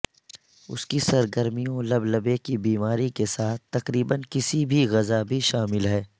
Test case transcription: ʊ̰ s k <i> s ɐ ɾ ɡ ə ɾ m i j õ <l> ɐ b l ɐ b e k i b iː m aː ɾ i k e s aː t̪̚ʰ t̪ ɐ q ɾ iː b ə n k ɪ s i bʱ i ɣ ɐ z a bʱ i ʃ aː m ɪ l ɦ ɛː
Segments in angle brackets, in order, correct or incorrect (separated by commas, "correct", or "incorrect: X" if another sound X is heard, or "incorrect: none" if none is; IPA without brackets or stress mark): correct, correct